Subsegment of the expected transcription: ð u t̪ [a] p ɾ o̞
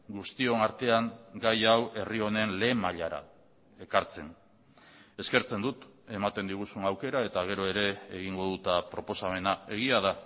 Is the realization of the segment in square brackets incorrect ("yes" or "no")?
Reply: no